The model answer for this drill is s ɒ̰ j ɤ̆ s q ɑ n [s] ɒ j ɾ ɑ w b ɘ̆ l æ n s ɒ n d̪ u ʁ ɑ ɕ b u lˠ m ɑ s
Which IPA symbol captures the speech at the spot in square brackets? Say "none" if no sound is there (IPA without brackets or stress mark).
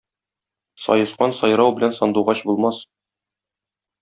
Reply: s